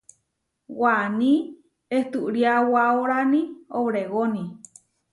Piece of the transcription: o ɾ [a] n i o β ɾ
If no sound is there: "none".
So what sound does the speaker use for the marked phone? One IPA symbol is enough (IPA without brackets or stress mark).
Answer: a